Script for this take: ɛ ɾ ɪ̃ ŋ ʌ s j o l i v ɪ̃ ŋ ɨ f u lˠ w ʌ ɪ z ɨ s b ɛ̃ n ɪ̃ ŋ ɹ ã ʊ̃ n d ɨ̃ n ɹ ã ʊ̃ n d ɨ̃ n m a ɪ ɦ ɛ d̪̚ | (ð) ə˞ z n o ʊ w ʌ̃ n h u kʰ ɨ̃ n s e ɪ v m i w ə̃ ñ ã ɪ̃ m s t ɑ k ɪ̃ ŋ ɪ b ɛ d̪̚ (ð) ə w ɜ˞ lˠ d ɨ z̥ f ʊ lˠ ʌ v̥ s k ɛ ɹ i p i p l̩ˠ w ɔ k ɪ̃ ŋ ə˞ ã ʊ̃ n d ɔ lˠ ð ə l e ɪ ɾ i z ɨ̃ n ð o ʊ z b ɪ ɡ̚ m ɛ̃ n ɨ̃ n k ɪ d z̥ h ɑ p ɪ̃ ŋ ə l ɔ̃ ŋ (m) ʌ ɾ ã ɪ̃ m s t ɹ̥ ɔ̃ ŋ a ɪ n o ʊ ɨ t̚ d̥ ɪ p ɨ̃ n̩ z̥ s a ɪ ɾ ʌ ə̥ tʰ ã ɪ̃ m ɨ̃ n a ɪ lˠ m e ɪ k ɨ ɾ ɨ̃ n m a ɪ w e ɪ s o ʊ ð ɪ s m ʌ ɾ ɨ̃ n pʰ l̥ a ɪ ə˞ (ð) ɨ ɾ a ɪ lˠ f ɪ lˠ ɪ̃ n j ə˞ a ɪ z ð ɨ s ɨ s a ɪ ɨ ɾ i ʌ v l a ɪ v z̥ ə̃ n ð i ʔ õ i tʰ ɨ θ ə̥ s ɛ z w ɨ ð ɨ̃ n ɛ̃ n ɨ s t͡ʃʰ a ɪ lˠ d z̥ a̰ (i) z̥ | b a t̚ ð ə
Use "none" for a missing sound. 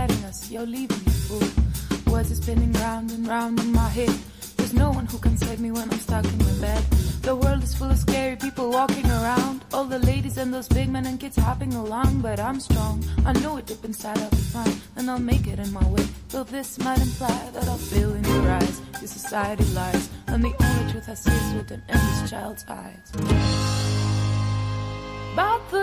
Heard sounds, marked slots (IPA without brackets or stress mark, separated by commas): ð, ð, b, ð, ɪ